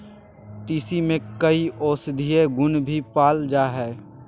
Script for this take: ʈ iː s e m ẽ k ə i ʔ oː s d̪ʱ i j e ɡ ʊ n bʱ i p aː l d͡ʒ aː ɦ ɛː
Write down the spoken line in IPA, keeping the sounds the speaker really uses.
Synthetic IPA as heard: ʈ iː s i m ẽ k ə i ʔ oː s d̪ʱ i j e ɡ ʊ n bʱ i p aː l d͡ʒ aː ɦ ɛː